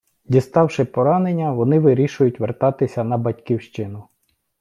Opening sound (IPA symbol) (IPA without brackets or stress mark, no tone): dʲ